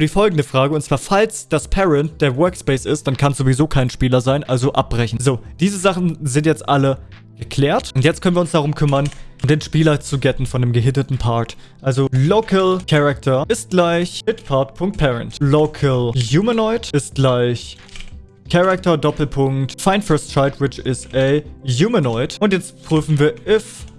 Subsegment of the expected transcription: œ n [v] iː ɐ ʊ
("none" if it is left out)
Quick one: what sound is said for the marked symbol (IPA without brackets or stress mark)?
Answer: v